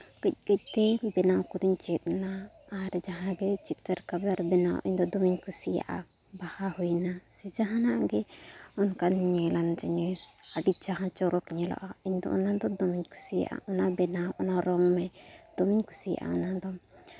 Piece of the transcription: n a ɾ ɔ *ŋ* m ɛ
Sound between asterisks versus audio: correct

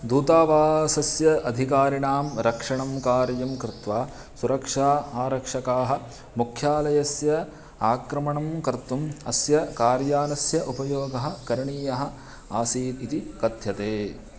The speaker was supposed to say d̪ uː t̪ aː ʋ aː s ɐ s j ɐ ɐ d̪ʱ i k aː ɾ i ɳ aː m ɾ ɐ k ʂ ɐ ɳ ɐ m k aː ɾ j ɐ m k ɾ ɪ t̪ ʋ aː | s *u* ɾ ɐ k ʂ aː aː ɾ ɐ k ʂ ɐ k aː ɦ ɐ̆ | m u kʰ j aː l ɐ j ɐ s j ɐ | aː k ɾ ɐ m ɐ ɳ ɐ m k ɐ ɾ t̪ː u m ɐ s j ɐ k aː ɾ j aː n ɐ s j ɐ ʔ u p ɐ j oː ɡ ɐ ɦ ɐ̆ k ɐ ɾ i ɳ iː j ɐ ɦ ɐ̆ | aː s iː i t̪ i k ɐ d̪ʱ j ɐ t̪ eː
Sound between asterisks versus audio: correct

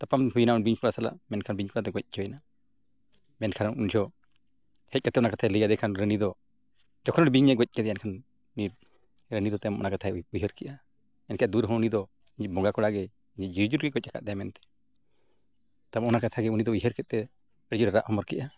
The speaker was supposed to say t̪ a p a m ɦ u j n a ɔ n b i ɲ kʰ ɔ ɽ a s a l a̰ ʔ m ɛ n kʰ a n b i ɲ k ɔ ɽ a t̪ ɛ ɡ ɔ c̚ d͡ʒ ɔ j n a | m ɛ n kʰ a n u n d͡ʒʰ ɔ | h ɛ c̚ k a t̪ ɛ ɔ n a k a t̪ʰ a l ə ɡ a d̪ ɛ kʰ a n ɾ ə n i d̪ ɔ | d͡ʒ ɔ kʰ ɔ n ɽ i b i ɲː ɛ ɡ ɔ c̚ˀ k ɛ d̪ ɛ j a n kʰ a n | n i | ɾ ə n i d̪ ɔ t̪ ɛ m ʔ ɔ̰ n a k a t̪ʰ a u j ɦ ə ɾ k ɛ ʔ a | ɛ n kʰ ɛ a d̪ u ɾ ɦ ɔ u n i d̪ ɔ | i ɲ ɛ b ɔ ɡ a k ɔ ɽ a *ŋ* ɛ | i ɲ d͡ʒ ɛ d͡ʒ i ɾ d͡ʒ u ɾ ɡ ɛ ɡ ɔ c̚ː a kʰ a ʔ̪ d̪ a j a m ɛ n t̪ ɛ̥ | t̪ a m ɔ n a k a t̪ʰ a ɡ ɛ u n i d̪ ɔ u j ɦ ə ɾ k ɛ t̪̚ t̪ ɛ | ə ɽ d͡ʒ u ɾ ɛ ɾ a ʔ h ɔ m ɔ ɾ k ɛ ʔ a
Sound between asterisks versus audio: incorrect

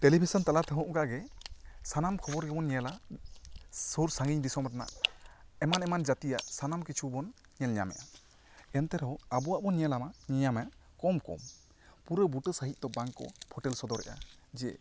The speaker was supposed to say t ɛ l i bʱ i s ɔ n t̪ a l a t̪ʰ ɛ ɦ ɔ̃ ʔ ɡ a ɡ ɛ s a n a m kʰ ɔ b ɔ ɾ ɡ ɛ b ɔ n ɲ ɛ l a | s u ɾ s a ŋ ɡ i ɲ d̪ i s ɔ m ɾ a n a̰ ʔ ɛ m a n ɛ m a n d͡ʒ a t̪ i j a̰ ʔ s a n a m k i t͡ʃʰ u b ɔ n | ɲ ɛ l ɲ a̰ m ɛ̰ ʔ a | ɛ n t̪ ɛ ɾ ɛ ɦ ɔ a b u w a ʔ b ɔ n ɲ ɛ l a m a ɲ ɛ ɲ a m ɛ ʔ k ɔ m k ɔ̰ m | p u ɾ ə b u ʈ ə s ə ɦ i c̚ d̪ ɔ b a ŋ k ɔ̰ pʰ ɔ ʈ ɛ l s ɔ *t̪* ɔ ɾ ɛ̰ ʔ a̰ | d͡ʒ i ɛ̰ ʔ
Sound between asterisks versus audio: incorrect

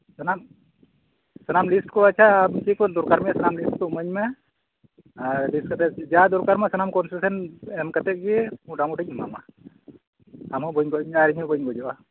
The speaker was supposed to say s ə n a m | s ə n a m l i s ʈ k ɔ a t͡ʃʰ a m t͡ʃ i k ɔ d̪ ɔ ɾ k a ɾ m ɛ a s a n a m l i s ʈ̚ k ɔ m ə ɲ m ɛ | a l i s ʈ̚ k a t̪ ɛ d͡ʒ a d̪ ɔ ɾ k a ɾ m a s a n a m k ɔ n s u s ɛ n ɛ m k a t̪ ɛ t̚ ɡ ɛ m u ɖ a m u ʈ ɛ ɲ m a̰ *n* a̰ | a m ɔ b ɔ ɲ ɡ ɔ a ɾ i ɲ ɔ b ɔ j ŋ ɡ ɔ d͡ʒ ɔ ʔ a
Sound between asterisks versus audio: incorrect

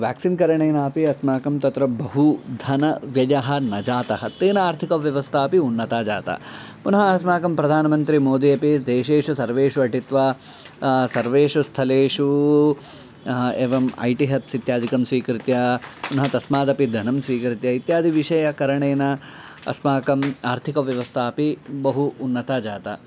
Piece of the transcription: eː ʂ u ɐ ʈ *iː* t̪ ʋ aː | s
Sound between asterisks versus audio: incorrect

